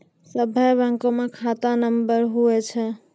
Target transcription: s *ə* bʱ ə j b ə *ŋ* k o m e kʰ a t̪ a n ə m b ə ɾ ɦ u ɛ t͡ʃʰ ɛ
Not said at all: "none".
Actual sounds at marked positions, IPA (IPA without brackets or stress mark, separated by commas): ə, ŋ